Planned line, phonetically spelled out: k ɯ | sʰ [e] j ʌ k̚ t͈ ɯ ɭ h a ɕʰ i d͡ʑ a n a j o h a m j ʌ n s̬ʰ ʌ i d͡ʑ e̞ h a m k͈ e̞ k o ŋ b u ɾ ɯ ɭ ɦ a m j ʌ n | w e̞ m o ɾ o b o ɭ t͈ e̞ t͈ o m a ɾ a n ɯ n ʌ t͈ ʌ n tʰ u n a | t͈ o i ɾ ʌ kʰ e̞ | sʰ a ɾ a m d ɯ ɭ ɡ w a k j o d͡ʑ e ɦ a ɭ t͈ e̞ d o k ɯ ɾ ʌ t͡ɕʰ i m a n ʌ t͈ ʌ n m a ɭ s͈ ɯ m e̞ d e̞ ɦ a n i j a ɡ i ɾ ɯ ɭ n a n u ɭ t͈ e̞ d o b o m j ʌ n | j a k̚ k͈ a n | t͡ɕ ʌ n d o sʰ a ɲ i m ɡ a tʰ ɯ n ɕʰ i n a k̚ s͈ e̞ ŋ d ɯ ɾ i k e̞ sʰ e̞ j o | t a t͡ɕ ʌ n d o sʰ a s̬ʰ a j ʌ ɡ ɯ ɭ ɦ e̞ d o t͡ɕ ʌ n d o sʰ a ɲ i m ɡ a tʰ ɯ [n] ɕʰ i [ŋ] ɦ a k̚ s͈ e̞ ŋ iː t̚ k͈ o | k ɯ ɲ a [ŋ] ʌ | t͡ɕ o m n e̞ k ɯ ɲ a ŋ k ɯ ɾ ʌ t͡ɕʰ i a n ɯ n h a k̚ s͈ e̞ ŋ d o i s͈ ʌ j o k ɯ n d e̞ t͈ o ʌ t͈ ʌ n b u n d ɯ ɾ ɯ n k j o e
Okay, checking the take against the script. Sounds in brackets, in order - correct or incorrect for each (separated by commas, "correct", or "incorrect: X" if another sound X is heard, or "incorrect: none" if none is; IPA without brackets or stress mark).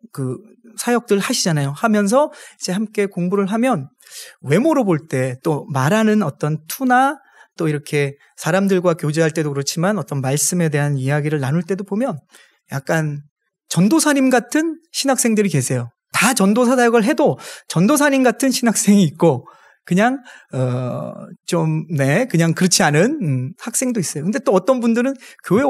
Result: incorrect: a, correct, incorrect: n, correct